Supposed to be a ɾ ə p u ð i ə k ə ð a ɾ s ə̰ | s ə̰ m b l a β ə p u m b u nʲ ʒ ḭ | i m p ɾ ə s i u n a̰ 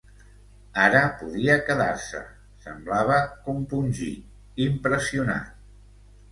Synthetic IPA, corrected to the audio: a ɾ ə p u ð i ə k ə ð a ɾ s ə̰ | s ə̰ m b l a β ə k u m p u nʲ ʒ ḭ | i m p ɾ ə s i u n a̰